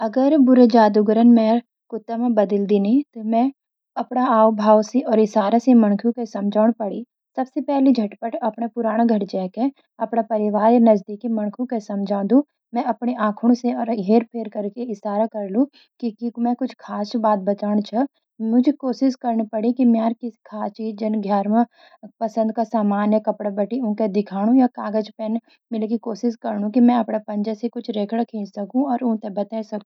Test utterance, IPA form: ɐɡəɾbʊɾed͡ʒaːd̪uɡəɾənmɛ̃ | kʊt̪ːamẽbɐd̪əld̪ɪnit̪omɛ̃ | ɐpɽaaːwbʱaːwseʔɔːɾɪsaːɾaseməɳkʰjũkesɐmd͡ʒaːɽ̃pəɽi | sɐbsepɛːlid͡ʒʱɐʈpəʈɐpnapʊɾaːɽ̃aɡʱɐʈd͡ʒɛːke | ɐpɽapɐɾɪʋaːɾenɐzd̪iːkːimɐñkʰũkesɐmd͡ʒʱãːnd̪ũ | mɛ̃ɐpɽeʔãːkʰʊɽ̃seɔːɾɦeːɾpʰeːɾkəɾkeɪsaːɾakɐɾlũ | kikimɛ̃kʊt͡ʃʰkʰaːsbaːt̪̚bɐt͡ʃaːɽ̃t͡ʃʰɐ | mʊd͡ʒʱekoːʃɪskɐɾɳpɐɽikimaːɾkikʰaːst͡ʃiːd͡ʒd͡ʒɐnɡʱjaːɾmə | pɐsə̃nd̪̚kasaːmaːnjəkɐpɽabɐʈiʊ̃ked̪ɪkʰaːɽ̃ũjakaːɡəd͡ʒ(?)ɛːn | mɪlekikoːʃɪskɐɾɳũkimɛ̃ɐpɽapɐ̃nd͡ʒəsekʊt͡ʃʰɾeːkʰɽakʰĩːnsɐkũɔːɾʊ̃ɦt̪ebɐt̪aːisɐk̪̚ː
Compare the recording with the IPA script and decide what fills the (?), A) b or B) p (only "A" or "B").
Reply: B